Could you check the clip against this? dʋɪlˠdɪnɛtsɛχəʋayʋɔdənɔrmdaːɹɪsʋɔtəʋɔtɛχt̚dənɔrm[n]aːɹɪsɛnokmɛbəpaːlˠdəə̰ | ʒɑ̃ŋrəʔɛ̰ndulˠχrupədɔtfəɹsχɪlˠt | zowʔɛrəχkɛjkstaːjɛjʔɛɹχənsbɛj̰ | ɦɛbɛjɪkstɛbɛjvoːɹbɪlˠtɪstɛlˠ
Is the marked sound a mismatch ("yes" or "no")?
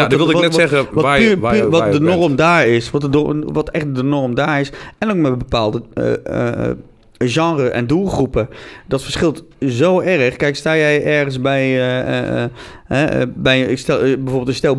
yes